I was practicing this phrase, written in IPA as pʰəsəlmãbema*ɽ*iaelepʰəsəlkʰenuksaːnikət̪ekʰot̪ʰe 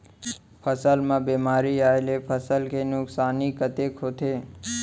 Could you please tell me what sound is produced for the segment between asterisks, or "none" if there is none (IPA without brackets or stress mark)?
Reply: ɾ